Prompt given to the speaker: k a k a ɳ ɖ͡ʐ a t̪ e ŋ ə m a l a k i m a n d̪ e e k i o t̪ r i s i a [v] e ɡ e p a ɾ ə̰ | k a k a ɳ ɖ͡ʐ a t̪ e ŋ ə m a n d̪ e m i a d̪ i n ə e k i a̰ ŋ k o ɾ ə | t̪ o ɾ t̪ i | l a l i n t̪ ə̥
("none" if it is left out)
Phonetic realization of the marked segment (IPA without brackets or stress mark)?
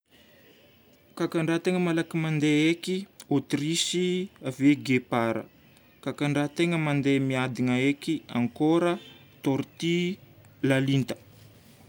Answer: v